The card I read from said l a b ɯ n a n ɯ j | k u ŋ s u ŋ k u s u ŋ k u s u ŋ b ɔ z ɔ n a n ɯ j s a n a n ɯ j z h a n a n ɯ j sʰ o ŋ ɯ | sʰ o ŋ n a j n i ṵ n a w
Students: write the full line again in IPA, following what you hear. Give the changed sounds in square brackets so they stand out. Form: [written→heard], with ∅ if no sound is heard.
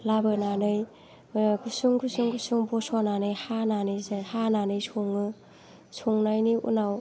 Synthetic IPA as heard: l a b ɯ n a n ɯ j | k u [ŋ→∅] s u ŋ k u s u ŋ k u s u ŋ b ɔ [z→s] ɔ n a n ɯ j [s→h] a n a n ɯ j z h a n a n ɯ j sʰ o ŋ ɯ | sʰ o ŋ n a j n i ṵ n a w